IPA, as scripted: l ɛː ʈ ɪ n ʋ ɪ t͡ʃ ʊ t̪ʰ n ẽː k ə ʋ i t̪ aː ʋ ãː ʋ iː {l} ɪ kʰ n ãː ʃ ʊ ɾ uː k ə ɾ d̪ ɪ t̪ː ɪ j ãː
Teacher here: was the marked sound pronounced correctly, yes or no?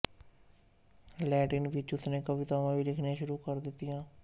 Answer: yes